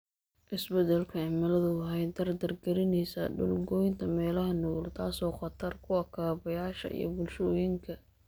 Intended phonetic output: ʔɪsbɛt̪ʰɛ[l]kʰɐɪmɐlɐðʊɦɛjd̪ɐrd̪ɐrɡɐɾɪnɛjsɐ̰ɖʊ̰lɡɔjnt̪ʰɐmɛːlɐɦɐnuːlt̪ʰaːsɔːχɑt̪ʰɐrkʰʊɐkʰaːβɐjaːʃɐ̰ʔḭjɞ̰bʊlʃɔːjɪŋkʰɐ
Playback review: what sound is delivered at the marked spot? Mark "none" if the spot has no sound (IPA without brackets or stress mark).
l